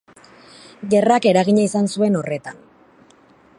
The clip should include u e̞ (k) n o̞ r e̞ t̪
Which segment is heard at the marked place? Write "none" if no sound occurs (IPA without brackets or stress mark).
none